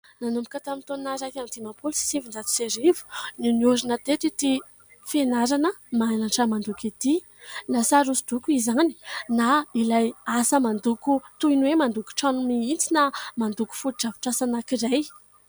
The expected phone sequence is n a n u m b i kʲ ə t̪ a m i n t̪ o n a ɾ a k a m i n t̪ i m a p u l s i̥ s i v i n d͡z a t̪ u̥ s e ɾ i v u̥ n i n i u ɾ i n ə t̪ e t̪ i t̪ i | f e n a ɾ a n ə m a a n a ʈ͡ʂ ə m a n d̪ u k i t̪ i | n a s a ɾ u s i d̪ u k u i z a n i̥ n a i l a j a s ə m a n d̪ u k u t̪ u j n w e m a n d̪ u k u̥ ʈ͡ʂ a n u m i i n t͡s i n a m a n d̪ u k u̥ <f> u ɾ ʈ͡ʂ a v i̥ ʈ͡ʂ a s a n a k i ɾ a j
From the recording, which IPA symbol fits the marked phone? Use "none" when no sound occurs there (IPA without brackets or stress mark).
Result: f